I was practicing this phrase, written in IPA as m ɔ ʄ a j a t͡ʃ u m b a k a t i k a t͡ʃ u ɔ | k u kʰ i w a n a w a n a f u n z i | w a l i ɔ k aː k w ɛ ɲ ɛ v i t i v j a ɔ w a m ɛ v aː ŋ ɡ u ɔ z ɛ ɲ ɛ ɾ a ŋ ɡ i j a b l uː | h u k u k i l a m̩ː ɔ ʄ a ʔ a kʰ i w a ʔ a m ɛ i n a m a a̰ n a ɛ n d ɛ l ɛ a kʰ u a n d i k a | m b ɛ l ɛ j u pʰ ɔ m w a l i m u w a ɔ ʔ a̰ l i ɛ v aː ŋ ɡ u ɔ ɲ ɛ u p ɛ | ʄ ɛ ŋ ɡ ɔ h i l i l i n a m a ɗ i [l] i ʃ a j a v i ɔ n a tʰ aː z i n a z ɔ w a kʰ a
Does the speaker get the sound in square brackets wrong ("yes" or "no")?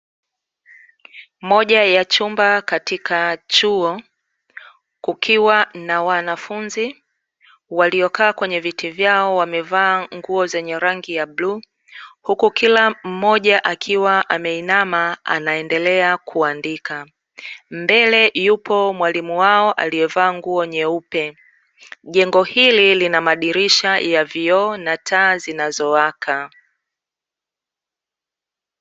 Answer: yes